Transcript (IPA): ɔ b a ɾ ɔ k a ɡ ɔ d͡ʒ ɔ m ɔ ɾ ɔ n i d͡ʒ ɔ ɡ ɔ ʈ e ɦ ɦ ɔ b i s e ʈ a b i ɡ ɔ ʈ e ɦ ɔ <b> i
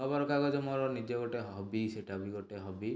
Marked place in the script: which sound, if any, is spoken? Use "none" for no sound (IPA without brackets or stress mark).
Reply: b